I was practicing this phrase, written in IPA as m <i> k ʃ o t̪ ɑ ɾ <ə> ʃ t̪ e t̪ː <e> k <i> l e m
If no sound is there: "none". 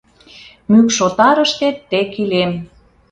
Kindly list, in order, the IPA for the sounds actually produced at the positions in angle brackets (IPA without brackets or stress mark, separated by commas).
y, ə, e, i